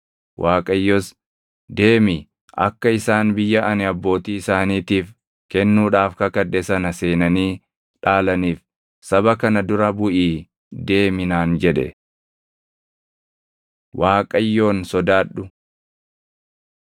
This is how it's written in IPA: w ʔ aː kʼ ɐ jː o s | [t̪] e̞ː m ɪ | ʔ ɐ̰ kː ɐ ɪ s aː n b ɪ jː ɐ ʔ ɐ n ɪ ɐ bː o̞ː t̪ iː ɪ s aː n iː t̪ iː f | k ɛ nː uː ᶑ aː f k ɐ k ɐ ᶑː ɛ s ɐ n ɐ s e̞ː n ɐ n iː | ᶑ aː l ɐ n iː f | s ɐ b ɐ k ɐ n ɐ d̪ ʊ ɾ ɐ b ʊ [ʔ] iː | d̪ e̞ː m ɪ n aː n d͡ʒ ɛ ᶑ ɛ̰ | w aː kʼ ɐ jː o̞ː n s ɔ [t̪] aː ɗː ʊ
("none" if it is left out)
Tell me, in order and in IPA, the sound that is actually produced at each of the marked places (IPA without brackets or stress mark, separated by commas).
d̪, ʔ, d̪